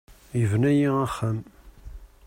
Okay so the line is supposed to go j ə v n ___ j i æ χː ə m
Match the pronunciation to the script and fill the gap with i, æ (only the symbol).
æ